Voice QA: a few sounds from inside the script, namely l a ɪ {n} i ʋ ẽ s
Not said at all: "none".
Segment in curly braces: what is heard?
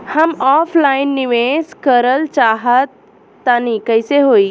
nː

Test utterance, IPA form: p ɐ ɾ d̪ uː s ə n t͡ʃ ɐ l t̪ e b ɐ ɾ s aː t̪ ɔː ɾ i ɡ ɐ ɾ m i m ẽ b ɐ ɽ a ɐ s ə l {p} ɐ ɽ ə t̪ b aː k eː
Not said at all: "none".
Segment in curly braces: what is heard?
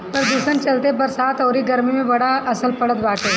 p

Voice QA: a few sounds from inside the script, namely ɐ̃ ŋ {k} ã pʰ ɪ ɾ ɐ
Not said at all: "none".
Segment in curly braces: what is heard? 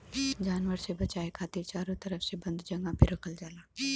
ɡ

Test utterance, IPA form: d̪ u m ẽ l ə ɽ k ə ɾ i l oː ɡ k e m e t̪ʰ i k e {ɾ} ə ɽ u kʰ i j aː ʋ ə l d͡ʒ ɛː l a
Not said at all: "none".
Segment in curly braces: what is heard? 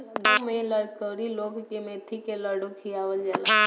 l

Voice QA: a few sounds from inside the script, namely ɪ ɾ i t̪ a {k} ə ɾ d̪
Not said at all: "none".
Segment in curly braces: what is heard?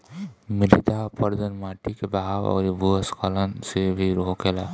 p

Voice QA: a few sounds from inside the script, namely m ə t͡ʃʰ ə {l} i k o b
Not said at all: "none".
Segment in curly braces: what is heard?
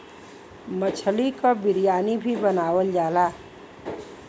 l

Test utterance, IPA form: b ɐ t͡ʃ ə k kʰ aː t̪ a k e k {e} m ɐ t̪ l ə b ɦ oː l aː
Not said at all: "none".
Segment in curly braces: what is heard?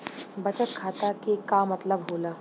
a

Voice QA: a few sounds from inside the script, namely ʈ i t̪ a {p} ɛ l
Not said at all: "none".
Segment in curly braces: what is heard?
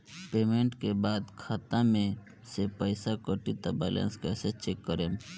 b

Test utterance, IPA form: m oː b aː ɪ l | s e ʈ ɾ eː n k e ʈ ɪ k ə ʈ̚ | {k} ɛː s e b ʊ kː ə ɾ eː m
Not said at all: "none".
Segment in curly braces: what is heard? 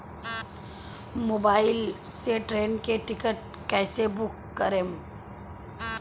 k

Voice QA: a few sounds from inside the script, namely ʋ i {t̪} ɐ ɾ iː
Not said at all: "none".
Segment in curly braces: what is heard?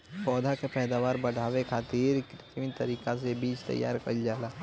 t̪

